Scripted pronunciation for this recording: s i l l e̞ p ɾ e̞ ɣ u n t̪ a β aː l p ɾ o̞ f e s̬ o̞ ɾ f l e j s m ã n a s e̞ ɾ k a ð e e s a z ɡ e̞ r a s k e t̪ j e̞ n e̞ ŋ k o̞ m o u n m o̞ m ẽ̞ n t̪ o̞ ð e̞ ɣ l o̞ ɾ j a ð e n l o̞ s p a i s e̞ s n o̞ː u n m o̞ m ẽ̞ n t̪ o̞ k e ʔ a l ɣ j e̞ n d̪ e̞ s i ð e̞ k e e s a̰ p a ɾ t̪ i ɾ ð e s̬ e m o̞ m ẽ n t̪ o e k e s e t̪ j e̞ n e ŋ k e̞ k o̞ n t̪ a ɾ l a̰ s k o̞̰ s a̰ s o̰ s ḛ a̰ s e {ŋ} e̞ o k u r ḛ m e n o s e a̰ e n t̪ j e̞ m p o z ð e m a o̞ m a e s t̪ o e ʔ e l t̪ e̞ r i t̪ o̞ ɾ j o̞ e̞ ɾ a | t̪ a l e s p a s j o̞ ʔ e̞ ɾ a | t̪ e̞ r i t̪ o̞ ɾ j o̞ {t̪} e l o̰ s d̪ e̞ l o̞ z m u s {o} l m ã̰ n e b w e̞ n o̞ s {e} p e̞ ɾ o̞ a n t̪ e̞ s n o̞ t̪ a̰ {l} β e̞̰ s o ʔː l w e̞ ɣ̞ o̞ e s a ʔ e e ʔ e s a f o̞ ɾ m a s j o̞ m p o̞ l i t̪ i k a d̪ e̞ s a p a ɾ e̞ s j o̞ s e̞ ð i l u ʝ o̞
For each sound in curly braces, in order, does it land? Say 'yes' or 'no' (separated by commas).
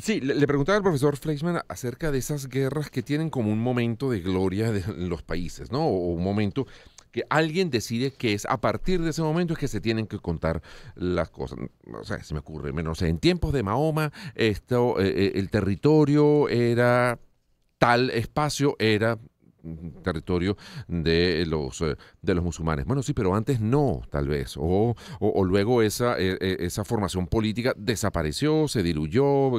no, no, no, no, yes